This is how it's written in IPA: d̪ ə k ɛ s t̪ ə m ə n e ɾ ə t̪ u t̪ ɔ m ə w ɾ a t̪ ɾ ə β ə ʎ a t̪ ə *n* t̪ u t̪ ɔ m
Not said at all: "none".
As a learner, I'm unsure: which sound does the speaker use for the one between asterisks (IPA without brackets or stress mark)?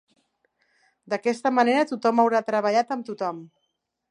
m